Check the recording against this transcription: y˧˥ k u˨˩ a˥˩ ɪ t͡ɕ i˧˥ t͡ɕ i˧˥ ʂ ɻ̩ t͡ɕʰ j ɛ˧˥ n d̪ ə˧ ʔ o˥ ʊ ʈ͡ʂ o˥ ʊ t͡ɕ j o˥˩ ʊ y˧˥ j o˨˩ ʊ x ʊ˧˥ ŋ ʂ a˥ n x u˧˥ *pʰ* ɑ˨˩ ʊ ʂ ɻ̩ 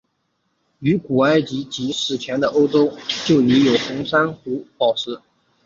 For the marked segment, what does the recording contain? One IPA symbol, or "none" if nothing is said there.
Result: p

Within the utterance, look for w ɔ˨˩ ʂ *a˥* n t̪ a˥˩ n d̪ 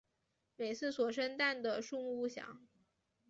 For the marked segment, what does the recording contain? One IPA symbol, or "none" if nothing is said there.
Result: ə˥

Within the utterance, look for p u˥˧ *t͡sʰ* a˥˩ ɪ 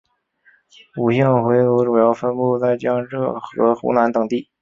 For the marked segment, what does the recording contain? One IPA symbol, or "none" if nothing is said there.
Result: t͡s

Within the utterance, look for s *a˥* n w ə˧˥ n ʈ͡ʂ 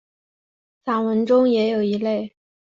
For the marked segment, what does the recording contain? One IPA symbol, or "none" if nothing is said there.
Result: a˨˩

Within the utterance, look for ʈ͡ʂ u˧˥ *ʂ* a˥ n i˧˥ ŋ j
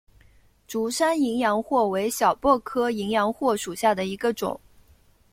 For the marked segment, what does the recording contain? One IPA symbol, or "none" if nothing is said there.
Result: ʂ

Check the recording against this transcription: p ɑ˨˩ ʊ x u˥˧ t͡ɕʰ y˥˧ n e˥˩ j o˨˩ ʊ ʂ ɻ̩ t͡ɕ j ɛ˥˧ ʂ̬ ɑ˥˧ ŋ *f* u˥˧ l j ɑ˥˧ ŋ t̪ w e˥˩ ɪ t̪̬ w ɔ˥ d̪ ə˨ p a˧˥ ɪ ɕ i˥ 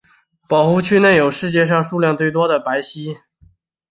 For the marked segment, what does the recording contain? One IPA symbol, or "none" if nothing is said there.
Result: ʂ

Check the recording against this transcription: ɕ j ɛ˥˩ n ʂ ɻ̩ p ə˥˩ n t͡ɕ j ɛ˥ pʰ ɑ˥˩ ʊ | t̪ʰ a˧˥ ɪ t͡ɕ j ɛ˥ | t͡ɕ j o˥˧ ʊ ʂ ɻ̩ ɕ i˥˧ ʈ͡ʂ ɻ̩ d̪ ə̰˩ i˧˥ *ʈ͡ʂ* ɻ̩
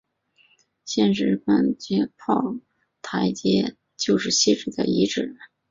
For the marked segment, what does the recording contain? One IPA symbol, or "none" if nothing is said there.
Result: ʈ͡ʂ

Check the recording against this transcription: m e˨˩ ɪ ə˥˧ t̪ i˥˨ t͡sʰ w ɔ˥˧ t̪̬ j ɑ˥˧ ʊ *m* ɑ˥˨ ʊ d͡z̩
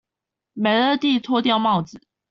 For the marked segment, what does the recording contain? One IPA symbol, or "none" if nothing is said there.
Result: m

